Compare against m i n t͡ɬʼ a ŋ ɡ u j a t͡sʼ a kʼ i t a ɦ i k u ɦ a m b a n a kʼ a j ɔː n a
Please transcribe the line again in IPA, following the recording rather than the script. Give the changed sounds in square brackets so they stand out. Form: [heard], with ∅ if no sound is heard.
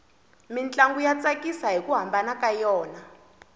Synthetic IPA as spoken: m i n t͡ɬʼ a ŋ ɡ u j a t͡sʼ a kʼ i [s] a ɦ i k u ɦ a m b a n a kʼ a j ɔː n a